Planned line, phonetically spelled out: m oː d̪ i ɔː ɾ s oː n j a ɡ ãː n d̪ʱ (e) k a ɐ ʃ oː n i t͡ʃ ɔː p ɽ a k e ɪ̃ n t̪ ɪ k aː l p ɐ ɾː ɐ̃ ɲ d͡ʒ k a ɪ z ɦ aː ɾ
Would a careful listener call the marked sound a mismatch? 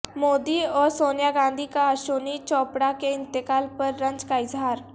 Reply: yes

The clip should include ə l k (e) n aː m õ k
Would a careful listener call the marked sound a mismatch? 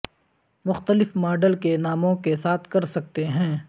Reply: no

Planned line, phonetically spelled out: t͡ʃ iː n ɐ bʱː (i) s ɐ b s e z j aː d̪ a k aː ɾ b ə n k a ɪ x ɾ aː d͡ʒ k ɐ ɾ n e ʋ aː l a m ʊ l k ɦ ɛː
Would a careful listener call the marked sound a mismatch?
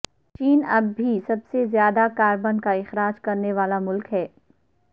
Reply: no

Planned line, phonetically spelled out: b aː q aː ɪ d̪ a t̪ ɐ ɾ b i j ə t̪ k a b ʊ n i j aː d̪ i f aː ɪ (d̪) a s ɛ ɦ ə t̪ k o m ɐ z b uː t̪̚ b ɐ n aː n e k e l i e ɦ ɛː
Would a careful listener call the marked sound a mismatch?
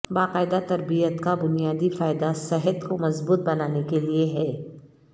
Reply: no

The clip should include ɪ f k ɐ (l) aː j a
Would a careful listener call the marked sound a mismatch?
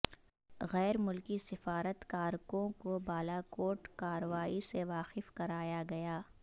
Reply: yes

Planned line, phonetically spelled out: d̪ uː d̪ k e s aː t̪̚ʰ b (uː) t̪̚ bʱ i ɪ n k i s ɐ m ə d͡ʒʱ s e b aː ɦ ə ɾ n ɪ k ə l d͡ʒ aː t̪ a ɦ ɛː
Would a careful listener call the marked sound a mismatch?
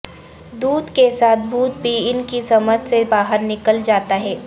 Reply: no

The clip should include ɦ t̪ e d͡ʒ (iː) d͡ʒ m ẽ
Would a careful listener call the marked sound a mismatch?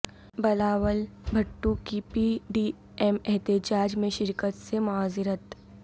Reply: yes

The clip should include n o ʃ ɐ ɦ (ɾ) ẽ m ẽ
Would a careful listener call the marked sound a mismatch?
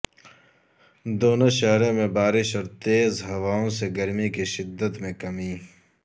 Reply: no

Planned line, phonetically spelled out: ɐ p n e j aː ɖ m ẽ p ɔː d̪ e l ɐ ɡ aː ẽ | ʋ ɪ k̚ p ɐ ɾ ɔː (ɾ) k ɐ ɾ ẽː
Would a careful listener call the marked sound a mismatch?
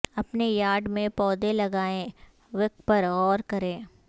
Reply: no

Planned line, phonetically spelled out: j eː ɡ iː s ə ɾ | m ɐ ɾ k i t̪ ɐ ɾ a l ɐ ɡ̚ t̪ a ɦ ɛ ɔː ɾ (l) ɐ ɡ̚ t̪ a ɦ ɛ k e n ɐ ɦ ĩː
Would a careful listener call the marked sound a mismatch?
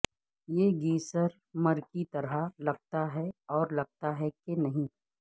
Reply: no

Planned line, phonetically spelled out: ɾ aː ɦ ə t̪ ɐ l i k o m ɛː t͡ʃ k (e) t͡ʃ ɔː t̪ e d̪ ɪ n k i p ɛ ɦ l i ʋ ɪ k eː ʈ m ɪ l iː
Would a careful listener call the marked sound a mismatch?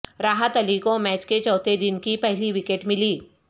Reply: no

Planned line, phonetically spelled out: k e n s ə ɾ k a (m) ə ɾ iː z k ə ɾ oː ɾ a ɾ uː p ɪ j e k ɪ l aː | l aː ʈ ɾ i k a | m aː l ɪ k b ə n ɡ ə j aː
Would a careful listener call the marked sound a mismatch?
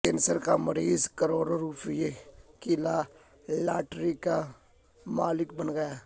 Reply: no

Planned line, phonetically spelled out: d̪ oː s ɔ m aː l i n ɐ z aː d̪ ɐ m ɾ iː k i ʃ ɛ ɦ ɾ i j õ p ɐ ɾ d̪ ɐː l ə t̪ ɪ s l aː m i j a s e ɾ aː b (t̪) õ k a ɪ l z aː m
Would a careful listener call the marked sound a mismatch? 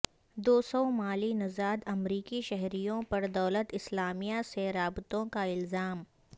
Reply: no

